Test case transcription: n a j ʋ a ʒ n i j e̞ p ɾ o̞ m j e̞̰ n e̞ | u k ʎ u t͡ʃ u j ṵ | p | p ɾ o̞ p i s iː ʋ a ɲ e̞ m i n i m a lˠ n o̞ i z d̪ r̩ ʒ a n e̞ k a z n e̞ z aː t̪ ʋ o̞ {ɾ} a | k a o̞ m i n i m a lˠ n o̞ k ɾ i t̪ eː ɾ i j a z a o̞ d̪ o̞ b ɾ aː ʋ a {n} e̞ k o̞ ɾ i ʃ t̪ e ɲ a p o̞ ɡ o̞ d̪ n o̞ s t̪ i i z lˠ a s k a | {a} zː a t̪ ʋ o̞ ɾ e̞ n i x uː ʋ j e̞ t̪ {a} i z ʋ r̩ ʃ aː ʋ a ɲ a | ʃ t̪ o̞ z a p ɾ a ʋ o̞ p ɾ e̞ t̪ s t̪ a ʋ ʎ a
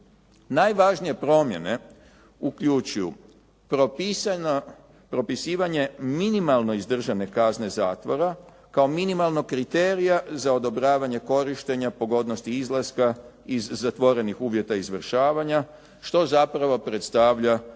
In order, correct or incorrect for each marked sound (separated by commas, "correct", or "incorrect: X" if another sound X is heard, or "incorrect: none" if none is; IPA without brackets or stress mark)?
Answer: correct, incorrect: ɲ, incorrect: i, correct